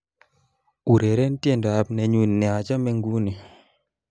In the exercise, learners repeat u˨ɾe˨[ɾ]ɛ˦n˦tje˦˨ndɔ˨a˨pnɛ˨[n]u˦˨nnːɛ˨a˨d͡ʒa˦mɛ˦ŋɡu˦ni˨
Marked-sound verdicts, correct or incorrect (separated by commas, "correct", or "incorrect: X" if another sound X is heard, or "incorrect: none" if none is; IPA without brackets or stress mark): correct, incorrect: ɲ